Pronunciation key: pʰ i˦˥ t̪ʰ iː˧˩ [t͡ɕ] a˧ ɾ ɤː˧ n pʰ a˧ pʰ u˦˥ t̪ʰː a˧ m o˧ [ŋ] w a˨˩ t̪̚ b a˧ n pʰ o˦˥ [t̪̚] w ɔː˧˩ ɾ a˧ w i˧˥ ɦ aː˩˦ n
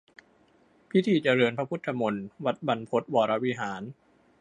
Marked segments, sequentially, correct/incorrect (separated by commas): correct, incorrect, correct